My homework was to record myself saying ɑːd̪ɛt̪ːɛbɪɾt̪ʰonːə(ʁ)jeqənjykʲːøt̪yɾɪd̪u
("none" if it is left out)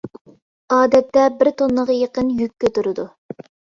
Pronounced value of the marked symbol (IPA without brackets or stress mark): ʁ